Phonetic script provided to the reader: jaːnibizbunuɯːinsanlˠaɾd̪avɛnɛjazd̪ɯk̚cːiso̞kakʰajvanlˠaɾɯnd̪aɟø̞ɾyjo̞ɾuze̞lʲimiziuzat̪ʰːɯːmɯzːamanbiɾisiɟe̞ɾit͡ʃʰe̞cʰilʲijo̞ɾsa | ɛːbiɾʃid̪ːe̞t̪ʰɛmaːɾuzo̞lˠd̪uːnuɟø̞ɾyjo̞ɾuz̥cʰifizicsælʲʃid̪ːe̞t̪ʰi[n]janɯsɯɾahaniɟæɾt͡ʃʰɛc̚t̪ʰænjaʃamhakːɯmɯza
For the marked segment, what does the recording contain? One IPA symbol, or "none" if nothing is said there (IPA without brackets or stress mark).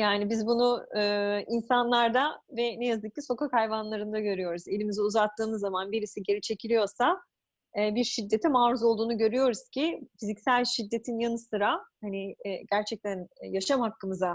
n